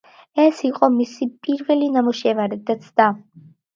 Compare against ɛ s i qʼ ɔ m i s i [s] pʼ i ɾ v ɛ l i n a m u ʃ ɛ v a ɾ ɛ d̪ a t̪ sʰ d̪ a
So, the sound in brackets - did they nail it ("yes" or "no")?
no